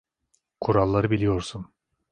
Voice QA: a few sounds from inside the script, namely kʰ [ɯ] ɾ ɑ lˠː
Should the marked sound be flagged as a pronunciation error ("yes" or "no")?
yes